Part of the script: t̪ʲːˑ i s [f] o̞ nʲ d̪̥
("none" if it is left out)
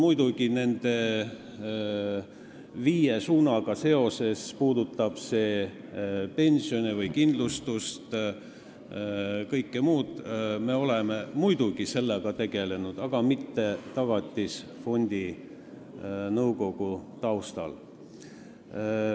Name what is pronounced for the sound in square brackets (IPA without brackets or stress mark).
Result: f